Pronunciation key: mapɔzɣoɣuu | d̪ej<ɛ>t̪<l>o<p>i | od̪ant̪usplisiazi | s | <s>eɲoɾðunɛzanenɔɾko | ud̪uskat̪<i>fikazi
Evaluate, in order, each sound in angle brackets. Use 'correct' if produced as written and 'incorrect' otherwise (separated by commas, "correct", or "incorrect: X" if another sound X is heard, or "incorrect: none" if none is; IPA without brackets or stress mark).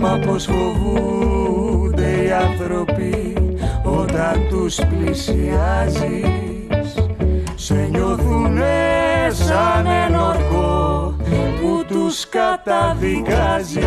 incorrect: a, incorrect: ɾ, correct, correct, incorrect: a